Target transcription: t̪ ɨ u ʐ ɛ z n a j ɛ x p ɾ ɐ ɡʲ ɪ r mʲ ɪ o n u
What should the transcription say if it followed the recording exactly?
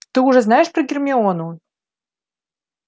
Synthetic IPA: t̪ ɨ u ʐ ɛ z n a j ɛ ʂ p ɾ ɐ ɡʲ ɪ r mʲ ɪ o n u